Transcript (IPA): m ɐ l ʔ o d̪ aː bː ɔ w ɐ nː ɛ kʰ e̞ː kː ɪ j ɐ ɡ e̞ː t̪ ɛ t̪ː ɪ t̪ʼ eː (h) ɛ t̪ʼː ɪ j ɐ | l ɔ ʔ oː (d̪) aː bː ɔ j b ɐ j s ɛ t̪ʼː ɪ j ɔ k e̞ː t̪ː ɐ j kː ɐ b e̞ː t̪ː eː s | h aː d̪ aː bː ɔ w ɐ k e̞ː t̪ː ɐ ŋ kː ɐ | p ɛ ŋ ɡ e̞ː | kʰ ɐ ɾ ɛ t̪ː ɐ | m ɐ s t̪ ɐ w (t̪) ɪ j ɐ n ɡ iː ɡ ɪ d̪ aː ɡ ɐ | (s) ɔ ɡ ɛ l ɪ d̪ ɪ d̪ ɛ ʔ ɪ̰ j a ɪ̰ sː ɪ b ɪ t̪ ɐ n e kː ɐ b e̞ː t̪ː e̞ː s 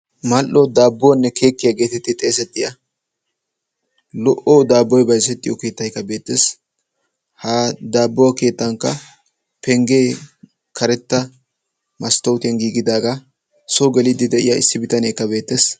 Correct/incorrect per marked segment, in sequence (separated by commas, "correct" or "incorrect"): incorrect, correct, correct, correct